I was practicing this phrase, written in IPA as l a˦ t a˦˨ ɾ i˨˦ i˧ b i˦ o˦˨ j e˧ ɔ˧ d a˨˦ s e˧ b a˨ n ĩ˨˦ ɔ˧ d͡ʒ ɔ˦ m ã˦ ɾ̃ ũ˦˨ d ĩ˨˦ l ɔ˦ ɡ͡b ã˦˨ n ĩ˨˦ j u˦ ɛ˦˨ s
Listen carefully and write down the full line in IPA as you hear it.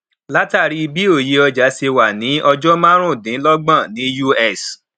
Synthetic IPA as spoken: l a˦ t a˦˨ ɾ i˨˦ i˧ b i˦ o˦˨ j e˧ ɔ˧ d͡ʒ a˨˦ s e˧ w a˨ n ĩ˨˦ ɔ˧ d͡ʒ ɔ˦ m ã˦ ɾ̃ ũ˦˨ d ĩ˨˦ l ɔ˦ ɡ͡b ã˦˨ n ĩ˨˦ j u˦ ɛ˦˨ s